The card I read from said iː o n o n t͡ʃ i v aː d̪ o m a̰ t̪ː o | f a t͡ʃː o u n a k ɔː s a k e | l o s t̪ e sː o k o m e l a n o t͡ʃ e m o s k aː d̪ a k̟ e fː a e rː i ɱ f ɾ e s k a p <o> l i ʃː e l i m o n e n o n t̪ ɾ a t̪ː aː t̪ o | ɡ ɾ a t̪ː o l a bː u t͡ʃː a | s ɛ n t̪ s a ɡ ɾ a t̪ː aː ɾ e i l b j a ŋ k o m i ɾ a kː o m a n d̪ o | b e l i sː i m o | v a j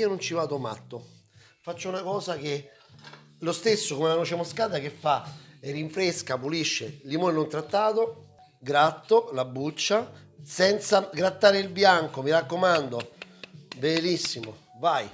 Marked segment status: incorrect: u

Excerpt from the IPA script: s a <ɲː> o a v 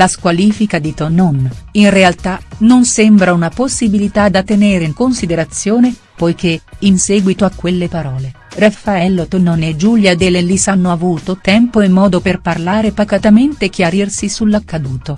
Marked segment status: incorrect: nː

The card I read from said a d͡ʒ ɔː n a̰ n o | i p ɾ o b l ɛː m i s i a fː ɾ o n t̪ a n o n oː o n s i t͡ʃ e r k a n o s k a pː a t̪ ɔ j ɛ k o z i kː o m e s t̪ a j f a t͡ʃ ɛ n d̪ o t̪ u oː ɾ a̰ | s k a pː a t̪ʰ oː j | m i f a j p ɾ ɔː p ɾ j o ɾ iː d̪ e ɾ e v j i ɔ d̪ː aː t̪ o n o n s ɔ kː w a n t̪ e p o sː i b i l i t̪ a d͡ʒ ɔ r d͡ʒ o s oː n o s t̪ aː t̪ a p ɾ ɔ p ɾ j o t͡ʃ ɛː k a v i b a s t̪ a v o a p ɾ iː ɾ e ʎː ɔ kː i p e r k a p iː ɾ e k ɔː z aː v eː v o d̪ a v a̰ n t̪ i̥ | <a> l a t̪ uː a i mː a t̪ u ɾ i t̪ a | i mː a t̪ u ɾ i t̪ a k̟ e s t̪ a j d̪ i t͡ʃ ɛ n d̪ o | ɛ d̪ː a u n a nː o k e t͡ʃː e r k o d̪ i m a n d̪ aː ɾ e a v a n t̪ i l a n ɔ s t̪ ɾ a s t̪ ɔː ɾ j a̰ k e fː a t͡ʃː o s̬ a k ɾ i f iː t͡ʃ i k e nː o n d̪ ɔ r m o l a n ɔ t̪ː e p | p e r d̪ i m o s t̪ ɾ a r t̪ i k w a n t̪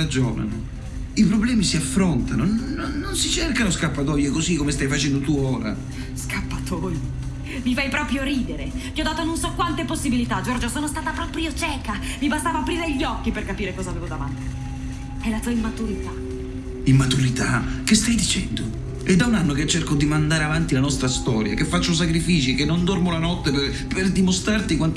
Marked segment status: incorrect: ɛ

